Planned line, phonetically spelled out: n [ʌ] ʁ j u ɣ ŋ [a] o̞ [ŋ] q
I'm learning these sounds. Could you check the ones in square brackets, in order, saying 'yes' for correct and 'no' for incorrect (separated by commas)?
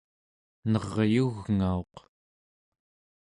yes, yes, no